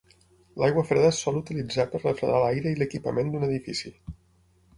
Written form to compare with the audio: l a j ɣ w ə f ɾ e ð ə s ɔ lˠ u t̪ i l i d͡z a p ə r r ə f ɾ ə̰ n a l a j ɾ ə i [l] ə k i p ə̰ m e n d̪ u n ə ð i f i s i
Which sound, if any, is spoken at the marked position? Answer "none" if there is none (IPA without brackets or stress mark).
l